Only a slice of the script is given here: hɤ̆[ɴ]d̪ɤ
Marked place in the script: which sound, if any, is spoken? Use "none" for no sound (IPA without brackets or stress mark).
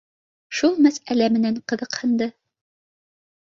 n